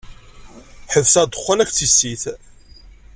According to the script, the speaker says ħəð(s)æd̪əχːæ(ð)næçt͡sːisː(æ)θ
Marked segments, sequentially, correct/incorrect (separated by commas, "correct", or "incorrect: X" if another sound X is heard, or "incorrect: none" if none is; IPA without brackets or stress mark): correct, incorrect: none, incorrect: i